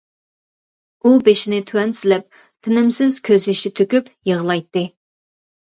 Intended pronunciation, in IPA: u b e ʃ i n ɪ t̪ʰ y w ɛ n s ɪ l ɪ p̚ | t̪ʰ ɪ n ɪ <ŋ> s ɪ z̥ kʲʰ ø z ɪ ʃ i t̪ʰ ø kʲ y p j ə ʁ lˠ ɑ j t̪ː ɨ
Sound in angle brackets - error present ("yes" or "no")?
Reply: yes